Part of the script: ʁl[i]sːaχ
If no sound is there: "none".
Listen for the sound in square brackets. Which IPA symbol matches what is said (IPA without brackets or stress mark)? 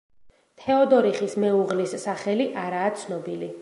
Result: i